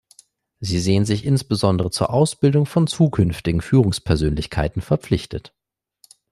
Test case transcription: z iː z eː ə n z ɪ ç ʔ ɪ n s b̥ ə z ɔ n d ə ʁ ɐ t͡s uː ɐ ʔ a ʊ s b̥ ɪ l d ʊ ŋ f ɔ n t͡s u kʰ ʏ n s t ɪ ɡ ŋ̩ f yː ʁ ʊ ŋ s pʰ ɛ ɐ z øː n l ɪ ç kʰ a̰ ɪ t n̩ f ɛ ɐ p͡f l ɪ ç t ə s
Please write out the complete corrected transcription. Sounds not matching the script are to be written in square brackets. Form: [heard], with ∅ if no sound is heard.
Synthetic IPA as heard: z iː z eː ə n z ɪ ç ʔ ɪ n s b̥ ə z ɔ n d ə ʁ [ə] t͡s uː ɐ ʔ a ʊ s b̥ ɪ l d ʊ ŋ f ɔ n t͡s [uː] kʰ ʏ n [f] t ɪ ɡ ŋ̩ f yː ʁ ʊ ŋ s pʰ ɛ ɐ z øː n l ɪ ç kʰ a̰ ɪ t n̩ f ɛ ɐ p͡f l ɪ ç t ə [t]